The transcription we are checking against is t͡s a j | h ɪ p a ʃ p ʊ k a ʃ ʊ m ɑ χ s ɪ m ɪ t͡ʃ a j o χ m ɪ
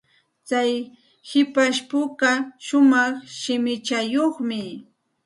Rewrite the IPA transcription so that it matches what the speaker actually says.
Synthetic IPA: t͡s a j | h ɪ p a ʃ p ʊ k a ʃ ʊ m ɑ χ ʃ ɪ m ɪ t͡ʃ a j o χ m ɪ